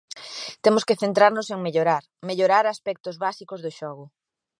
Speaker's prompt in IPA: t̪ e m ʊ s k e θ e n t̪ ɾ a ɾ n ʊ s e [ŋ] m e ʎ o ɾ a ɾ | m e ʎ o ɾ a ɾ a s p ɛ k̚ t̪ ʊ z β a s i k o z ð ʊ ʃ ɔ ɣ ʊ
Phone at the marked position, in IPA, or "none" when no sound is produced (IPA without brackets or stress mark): ŋ